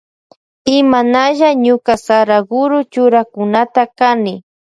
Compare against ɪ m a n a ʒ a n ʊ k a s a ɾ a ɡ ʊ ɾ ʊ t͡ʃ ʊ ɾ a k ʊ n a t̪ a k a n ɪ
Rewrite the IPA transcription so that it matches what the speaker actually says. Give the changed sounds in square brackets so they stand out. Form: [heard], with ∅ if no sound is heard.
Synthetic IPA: ɪ m a n a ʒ a [ɲ] ʊ k a s a ɾ a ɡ ʊ ɾ ʊ t͡ʃ ʊ ɾ a k ʊ n a t̪ a k a n ɪ